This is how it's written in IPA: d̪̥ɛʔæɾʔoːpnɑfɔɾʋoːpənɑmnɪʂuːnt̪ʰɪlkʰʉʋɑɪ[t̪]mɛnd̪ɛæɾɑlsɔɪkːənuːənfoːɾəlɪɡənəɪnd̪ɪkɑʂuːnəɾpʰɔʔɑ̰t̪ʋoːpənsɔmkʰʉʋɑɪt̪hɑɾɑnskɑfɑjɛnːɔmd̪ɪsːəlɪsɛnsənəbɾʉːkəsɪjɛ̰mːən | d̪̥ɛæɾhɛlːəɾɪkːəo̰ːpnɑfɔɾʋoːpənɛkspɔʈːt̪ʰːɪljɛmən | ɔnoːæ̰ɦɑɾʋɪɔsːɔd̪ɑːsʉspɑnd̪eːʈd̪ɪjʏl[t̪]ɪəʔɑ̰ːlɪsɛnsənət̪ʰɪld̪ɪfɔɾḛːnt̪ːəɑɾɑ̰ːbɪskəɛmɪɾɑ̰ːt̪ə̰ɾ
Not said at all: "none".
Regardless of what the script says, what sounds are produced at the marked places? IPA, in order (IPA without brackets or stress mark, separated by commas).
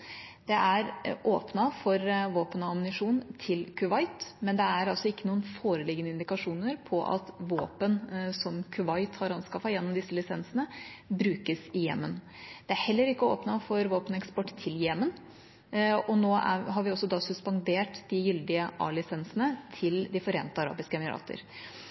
t̪, d̪